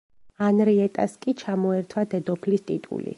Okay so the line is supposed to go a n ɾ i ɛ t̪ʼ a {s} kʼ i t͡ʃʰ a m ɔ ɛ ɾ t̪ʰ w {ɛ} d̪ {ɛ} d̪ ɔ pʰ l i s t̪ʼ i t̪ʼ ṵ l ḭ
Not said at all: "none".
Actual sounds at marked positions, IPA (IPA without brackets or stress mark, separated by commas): s, a, ɛ